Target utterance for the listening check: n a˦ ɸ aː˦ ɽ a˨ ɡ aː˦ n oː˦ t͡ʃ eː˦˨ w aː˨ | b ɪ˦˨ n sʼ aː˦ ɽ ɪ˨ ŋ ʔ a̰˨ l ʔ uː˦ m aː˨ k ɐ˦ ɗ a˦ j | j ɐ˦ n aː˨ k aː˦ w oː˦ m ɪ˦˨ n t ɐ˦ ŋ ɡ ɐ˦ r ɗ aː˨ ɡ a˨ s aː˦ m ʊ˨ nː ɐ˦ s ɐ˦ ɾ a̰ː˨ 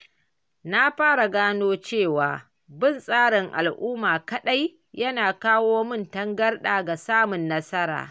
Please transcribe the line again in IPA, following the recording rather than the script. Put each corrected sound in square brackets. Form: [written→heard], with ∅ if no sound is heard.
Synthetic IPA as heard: n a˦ ɸ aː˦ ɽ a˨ ɡ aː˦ n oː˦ t͡ʃ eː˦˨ w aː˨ | b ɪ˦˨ n sʼ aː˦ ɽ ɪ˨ ŋ ʔ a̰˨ l ʔ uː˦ m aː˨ k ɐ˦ ɗ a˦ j | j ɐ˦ n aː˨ k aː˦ w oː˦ m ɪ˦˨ n t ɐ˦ ŋ ɡ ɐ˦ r ɗ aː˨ ɡ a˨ s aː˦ m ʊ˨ nː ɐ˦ s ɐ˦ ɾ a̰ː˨